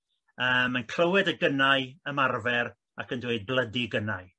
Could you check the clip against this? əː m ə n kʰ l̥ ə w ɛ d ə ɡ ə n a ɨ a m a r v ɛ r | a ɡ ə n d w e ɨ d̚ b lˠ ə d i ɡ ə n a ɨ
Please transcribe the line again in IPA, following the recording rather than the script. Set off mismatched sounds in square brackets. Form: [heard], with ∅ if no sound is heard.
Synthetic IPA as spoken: əː m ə n kʰ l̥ ə w ɛ d ə ɡ ə n a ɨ [ə] m a r v ɛ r | a [k] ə n d w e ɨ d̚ b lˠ ə d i ɡ ə n a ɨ